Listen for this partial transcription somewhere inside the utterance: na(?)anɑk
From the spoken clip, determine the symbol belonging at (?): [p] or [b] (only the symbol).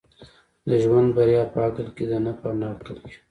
p